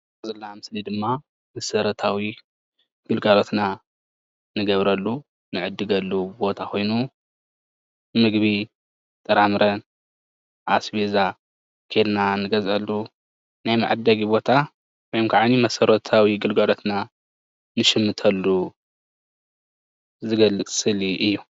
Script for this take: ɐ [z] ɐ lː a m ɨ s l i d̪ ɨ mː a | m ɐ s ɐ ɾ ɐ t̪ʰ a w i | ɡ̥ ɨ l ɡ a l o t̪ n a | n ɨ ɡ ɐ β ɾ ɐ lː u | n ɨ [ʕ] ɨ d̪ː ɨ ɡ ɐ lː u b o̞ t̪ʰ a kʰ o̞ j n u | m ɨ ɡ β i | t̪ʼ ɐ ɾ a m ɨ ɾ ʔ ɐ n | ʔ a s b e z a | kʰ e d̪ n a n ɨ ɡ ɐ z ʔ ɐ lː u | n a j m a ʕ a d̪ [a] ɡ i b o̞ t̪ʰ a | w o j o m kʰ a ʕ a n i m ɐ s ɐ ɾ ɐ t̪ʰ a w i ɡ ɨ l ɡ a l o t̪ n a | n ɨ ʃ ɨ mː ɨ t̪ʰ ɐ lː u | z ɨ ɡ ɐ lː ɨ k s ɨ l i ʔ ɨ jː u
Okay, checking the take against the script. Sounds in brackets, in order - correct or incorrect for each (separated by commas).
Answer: correct, correct, incorrect